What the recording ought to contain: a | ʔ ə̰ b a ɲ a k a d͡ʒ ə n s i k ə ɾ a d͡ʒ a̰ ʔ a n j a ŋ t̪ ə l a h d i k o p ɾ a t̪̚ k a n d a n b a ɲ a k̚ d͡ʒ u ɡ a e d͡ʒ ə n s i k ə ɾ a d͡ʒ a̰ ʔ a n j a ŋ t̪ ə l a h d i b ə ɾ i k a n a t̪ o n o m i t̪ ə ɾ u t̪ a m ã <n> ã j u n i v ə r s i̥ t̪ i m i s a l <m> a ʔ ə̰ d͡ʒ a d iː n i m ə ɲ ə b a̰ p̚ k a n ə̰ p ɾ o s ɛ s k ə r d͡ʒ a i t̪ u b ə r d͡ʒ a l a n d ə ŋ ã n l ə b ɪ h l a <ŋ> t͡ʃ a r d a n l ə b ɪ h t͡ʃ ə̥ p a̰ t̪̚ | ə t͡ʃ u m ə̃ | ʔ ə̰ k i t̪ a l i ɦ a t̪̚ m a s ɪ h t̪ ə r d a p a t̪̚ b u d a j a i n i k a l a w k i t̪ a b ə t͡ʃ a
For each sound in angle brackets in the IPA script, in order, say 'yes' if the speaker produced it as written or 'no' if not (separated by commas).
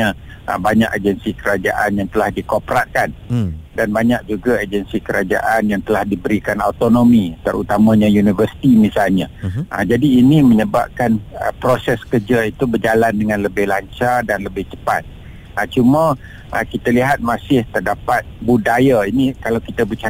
no, no, no